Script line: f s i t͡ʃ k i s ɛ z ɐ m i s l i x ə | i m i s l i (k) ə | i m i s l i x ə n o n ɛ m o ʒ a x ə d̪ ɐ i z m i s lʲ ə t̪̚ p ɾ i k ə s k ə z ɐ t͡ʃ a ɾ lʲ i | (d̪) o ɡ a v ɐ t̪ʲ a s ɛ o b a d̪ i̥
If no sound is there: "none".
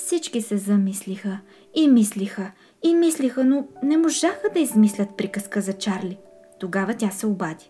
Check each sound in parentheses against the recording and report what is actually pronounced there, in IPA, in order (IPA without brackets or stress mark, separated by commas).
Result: x, t̪